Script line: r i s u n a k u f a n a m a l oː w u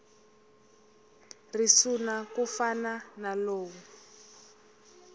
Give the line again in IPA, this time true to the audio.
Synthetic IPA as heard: r i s u n a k u f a n a n a l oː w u